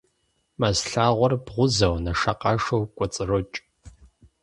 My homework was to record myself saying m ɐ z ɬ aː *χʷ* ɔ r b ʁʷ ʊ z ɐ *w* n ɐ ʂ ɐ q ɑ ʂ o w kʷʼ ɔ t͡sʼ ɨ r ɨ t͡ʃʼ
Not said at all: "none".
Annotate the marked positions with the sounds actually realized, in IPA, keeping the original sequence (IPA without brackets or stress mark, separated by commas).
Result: ʁʷ, w